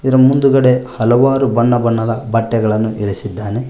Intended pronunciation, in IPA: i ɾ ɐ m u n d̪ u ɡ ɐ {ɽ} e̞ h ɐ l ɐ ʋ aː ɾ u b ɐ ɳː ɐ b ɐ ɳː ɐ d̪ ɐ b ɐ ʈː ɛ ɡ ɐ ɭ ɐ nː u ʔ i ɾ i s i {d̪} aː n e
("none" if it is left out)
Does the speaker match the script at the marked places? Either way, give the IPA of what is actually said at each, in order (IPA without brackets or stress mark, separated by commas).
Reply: ɽ, d̪ː